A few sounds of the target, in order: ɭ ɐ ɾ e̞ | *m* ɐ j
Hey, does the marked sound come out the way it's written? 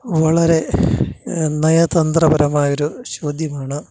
no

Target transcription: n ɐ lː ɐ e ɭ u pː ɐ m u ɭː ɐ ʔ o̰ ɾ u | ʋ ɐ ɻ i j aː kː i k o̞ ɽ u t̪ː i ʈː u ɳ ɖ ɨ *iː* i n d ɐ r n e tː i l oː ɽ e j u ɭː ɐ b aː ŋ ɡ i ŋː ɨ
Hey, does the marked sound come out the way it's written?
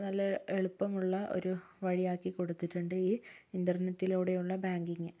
yes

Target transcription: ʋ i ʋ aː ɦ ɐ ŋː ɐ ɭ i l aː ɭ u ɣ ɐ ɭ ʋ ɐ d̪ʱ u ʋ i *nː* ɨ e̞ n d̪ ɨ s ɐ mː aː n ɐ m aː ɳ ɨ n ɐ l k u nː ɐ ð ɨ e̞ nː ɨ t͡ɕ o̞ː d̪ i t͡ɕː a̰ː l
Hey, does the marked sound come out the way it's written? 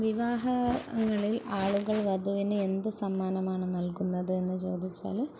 no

